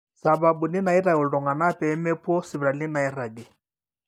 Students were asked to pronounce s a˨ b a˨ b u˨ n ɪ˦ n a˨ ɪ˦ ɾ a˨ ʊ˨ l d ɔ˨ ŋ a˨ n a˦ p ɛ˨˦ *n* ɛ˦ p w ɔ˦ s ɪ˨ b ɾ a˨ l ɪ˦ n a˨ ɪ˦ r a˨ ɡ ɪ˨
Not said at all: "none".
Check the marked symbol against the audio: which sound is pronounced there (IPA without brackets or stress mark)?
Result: m